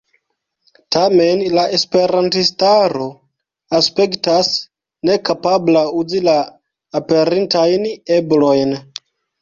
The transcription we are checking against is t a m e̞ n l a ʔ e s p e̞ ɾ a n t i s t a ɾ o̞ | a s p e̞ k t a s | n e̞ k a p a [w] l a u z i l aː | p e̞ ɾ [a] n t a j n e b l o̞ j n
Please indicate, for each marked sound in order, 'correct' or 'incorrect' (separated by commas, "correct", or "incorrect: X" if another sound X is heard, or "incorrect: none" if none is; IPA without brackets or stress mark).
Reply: incorrect: b, incorrect: i